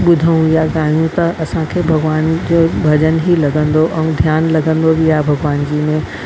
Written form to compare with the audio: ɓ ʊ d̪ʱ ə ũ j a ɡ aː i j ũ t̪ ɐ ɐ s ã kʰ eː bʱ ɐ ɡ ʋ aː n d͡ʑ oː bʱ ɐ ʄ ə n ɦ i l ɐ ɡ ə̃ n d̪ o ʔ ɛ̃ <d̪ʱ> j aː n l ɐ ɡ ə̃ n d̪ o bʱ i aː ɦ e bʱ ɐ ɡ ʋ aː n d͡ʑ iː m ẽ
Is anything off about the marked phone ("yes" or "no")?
no